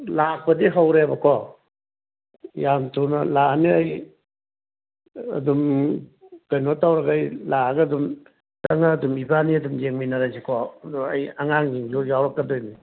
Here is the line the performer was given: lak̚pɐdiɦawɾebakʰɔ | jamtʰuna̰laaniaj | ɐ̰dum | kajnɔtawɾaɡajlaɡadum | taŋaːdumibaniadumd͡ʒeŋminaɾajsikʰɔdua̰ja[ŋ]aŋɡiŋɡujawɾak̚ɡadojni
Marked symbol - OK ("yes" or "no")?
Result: yes